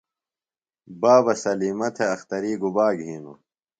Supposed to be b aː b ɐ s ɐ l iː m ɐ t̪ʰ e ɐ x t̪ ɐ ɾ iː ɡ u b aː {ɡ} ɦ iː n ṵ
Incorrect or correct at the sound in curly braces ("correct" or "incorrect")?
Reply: correct